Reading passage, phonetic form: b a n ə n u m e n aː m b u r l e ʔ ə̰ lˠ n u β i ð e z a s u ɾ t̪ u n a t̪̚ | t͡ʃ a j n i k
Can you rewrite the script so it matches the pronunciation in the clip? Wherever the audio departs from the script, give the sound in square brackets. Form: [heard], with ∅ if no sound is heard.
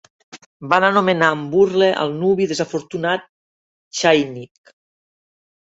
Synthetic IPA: b a n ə n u m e n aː m b u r l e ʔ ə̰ lˠ n u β i ð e z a [f] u ɾ t̪ u n a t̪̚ | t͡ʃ a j n i k